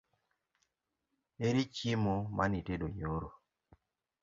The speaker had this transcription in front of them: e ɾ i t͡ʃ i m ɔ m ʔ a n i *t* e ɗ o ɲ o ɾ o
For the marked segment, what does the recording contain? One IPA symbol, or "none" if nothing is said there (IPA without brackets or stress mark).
t